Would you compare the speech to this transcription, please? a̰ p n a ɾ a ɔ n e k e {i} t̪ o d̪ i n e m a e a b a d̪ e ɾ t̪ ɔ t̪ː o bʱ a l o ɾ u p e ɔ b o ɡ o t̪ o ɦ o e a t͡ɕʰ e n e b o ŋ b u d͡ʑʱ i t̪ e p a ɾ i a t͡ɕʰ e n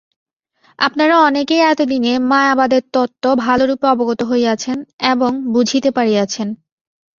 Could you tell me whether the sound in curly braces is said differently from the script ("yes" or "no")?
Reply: yes